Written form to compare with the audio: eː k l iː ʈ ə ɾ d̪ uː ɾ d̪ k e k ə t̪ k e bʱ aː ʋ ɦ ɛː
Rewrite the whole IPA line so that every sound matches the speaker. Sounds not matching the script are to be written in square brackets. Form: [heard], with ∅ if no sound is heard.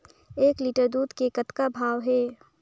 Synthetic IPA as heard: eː k l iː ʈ ə ɾ d̪ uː [∅] d̪ k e k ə t̪ k [a] bʱ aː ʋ ɦ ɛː